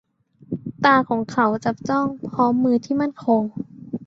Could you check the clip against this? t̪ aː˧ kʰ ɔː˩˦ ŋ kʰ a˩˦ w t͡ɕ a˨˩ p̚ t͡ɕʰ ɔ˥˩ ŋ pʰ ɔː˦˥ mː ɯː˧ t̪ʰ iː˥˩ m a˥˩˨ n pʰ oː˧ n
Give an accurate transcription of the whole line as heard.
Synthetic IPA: t̪ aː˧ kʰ ɔː˩˦ ŋ kʰ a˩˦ w t͡ɕ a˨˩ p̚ t͡ɕ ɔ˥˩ ŋ pʰ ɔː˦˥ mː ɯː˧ t̪ʰ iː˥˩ m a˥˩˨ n kʰ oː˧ ŋ